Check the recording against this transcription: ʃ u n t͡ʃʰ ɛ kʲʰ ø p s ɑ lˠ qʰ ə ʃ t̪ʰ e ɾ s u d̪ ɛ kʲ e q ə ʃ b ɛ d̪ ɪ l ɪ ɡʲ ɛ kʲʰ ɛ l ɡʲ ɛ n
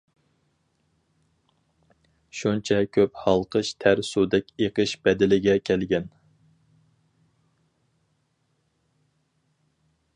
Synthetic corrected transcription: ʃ u n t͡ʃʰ ɛ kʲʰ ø p h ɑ lˠ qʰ ə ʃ t̪ʰ æ ɾ s u d̪ ɛ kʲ e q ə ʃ b ɛ d̪ ɪ l ɪ ɡʲ ɛ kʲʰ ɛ l ɡʲ ɛ n

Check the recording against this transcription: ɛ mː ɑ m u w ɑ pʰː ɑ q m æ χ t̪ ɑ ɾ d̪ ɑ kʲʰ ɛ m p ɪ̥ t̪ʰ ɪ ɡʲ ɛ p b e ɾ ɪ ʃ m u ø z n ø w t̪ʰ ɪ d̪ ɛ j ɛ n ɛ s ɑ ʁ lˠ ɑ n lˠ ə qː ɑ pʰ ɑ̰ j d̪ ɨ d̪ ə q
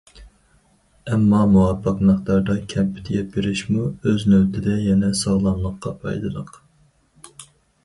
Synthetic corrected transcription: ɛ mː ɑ m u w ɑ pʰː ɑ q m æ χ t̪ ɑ ɾ d̪ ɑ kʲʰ ɛ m p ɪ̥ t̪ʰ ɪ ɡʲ ɛ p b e ɾ ɪ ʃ m u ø z n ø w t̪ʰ ɪ d̪ ɛ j ɛ n ɛ s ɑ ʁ lˠ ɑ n lˠ ə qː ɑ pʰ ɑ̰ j d̪ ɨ d̪ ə q

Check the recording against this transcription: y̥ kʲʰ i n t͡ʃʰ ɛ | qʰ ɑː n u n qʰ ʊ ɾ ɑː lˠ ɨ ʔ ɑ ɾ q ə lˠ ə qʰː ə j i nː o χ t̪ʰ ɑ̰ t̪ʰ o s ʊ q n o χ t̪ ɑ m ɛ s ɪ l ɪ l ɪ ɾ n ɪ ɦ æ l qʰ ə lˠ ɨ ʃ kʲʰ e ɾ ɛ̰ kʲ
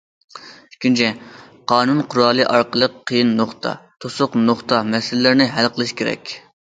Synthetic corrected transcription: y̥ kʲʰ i n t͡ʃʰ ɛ | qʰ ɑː n u n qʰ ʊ ɾ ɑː lˠ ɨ ʔ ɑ ɾ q ə lˠ ə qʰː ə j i nː o χ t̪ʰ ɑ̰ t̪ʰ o s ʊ q n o χ t̪ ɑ m ɛ s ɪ l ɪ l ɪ ɾ n ɪ ɦ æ l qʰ ə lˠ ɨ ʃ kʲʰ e ɾ ɛ̰ kʲ

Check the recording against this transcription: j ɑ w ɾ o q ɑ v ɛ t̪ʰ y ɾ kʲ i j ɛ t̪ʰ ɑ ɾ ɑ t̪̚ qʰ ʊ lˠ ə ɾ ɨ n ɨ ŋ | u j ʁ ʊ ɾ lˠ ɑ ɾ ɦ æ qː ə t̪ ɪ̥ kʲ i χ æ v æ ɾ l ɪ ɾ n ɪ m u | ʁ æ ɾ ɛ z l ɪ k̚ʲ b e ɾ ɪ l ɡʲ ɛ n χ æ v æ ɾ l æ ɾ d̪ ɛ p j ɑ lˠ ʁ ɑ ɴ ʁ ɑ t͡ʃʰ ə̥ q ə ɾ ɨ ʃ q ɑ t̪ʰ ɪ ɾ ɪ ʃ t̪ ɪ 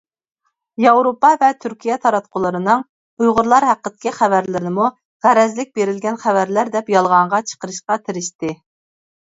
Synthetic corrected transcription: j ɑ w ɾ o p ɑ v ɛ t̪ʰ y ɾ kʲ i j ɛ t̪ʰ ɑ ɾ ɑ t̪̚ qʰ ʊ lˠ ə ɾ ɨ n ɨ ŋ | u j ʁ ʊ ɾ lˠ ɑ ɾ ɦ æ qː ə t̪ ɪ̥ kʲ i χ æ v æ ɾ l ɪ ɾ n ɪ m u | ʁ æ ɾ ɛ z l ɪ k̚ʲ b e ɾ ɪ l ɡʲ ɛ n χ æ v æ ɾ l æ ɾ d̪ ɛ p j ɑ lˠ ʁ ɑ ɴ ʁ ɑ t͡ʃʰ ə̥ q ə ɾ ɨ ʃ q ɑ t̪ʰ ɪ ɾ ɪ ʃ t̪ ɪ

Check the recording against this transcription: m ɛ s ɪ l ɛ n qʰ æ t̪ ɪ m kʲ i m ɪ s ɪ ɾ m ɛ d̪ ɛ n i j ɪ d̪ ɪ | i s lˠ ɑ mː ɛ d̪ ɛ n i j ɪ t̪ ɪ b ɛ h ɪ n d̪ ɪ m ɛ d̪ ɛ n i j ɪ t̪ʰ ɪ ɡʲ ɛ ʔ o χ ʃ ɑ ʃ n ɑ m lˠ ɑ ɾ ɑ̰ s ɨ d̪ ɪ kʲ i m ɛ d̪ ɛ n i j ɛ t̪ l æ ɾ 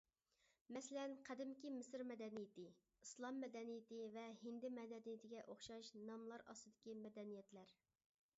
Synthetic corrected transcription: m ɛ s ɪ l ɛ n qʰ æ d̪ ɪ m kʲ i m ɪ s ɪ ɾ m ɛ d̪ ɛ n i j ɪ t̪ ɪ | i s lˠ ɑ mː ɛ d̪ ɛ n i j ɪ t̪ ɪ v ɛ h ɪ n d̪ ɪ m ɛ d̪ ɛ n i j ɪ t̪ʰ ɪ ɡʲ ɛ ʔ o χ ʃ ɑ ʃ n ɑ m lˠ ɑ ɾ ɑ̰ s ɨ d̪ ɪ kʲ i m ɛ d̪ ɛ n i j ɛ t̪ l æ ɾ

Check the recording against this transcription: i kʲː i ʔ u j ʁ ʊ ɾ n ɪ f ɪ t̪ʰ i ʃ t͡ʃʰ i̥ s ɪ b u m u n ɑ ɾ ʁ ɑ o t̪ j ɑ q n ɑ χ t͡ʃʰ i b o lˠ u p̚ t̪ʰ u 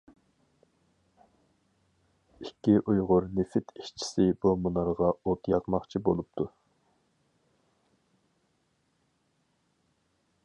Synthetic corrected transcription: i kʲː i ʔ u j ʁ ʊ ɾ n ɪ f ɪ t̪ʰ i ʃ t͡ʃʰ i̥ s ɪ b u m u n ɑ ɾ ʁ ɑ o t̪ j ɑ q m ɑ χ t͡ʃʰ i b o lˠ u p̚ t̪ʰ u

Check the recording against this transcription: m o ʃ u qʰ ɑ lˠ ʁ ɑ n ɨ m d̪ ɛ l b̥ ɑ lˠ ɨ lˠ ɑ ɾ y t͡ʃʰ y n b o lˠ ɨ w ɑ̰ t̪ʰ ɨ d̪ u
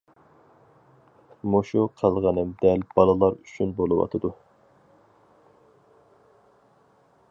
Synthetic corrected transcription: m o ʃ u qʰ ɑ lˠ ʁ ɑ n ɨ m d̪ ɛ l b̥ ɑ lˠ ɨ lˠ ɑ ɾ y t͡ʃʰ y n b o lˠ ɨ w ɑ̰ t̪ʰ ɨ d̪ u

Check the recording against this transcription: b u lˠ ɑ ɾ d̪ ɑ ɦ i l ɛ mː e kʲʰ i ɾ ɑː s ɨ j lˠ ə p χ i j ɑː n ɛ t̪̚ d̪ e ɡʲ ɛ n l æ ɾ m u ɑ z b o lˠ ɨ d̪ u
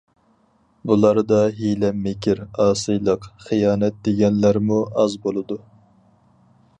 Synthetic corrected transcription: b u lˠ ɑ ɾ d̪ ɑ ɦ i l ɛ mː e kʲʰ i ɾ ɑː s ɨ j lˠ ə q χ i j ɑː n ɛ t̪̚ d̪ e ɡʲ ɛ n l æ ɾ m u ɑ z b o lˠ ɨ d̪ u

